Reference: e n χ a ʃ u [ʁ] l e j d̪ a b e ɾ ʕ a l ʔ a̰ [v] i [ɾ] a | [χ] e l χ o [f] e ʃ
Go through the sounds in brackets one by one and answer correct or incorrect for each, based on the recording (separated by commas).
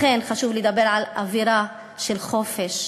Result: incorrect, correct, correct, incorrect, correct